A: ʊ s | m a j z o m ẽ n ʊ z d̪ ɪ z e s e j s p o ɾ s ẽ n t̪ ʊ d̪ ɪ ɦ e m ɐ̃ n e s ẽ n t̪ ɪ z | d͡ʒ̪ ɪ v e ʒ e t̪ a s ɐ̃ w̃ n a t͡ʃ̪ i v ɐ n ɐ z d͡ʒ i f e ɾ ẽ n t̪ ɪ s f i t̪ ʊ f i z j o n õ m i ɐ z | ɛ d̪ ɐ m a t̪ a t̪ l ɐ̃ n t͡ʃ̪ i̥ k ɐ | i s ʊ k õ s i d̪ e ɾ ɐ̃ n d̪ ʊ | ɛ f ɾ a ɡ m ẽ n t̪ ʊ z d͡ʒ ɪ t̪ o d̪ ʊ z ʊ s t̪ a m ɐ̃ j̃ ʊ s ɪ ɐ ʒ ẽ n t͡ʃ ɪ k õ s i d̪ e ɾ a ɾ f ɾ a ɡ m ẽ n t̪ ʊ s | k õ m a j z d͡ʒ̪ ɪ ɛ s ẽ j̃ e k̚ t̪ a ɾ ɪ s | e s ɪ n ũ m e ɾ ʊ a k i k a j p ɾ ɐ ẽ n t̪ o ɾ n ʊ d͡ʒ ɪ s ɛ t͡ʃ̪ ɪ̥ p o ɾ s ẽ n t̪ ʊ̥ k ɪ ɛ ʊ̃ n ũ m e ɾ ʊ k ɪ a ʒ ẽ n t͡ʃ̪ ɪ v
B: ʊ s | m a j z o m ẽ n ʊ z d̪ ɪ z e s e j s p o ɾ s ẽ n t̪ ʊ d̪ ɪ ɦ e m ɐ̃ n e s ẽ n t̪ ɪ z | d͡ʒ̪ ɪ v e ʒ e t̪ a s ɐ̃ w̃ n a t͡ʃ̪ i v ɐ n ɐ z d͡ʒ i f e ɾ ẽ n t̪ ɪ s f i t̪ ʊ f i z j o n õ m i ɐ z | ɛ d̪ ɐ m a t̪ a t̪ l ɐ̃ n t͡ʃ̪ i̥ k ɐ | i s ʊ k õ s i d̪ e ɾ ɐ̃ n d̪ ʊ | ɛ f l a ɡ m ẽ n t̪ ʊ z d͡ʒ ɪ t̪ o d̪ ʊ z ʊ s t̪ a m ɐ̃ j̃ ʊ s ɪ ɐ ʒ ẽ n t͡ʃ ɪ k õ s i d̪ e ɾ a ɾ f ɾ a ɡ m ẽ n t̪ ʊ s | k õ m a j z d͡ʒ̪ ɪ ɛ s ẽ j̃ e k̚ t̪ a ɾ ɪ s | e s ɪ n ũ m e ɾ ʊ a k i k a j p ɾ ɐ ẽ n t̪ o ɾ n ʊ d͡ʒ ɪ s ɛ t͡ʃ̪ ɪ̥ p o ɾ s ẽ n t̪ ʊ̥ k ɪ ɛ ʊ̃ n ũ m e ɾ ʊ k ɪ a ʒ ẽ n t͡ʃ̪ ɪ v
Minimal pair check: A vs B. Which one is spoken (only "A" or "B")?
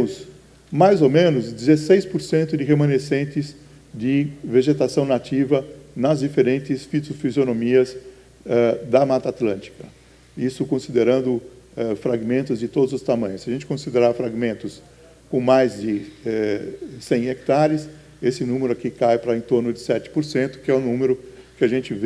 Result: A